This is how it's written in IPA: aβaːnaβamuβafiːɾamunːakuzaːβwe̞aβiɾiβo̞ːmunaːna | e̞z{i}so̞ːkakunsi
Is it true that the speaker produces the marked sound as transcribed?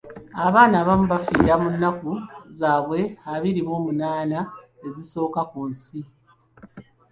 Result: yes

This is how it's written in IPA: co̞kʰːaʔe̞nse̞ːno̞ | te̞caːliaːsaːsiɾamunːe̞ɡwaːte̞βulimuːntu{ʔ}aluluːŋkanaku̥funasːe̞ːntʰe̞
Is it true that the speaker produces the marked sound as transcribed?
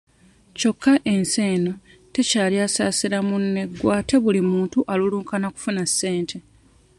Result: yes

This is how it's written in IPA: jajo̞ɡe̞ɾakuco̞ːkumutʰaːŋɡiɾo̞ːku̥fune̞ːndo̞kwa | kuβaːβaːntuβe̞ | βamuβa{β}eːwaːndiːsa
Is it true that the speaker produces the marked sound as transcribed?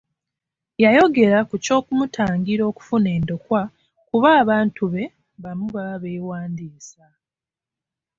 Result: yes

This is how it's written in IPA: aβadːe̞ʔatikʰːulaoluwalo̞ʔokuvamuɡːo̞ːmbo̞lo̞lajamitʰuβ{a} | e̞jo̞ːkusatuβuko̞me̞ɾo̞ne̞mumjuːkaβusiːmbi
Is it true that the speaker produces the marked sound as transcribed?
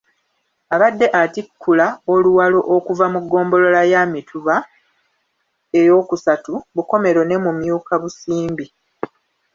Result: yes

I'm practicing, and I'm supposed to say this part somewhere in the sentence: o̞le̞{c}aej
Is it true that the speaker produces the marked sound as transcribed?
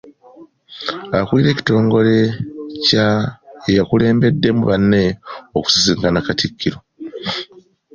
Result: yes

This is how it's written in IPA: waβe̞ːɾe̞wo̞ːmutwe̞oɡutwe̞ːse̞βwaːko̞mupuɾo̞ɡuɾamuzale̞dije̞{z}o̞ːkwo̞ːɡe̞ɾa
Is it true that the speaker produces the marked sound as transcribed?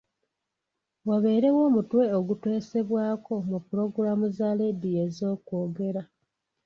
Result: yes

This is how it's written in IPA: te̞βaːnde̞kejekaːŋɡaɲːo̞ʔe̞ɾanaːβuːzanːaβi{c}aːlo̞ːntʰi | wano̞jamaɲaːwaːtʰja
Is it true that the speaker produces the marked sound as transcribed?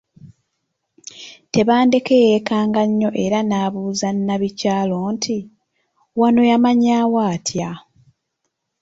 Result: yes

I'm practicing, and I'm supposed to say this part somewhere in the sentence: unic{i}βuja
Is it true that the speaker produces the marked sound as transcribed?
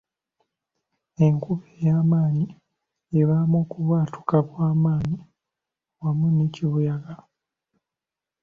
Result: yes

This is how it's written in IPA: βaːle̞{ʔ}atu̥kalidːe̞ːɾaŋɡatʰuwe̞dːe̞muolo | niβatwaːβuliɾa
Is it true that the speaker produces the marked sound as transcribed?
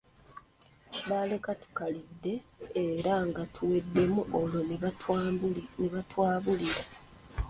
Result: no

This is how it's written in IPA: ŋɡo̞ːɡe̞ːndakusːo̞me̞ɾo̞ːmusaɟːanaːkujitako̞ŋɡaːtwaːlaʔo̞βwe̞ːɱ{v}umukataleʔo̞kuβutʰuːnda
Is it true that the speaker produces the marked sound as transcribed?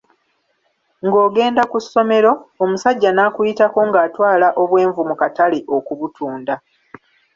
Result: yes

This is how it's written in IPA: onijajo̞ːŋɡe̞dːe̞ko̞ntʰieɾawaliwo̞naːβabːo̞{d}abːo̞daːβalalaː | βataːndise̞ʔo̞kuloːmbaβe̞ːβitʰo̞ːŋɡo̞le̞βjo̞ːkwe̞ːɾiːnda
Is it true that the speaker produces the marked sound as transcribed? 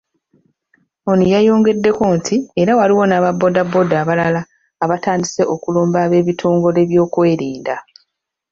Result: yes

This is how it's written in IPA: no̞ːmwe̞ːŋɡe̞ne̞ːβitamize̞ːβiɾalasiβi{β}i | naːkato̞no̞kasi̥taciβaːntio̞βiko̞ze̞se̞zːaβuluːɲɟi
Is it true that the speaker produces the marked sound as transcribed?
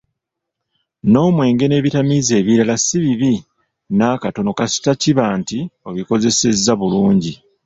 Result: yes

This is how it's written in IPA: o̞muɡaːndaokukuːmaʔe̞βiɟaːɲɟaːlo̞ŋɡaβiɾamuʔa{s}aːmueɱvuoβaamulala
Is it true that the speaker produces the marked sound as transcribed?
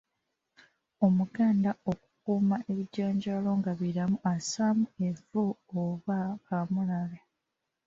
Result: yes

